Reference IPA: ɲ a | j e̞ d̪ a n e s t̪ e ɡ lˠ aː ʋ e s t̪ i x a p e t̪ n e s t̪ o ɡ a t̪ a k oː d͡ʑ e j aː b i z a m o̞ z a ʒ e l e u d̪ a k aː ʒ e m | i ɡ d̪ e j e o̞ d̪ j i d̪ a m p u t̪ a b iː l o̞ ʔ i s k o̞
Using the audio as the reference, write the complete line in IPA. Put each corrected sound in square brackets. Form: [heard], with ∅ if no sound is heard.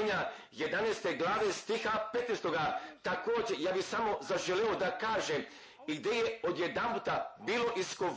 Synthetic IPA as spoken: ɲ a | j e̞ d̪ a n e s t̪ e ɡ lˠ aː ʋ e s t̪ i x a p e t̪ n e s t̪ o ɡ a t̪ a k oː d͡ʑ e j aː b i [s] a m o̞ z a ʒ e l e [o] d̪ a k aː ʒ e m | i ɡ d̪ e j e o̞ d̪ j [e] d̪ a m p u t̪ a b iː l o̞ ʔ i s k o̞